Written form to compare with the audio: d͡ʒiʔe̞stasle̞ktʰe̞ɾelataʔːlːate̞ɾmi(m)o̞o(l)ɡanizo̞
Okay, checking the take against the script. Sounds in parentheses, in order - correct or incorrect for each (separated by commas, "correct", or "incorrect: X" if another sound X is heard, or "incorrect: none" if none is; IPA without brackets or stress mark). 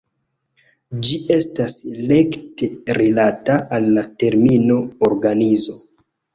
incorrect: n, incorrect: ɾ